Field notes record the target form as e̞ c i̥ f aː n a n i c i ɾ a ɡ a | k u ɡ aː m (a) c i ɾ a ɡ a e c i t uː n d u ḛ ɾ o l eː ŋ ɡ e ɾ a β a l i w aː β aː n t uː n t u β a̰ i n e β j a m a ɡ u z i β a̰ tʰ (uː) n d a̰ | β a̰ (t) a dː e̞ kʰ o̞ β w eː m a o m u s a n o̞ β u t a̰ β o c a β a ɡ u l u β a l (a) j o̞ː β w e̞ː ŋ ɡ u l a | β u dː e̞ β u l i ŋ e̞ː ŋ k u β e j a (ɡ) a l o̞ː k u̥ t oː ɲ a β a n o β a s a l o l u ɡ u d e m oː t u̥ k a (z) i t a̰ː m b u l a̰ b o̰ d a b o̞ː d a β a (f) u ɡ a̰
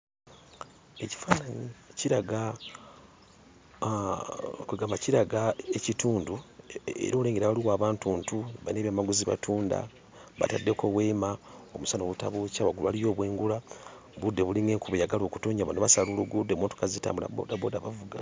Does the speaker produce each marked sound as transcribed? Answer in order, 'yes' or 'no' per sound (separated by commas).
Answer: yes, yes, yes, no, yes, yes, no